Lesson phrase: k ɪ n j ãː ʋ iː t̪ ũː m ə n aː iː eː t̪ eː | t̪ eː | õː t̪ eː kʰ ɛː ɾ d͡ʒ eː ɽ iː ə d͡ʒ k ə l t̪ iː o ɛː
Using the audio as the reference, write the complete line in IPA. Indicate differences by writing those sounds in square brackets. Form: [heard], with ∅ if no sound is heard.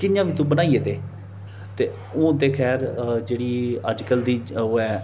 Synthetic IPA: k ɪ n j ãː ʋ iː t̪ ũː [b] ə n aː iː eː t̪ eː | t̪ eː | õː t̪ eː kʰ ɛː ɾ d͡ʒ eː ɽ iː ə d͡ʒ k ə l [d̪] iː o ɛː